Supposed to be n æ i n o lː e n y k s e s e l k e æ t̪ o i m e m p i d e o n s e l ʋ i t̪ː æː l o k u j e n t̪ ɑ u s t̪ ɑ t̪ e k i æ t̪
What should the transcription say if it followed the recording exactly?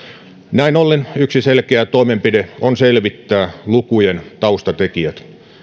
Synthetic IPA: n æ i n o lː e n y k s i s e l k e æ t̪ o i m e m p i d e o n s e l ʋ i t̪ː æː l u k u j e n t̪ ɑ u s t̪ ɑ t̪ e k i æ t̪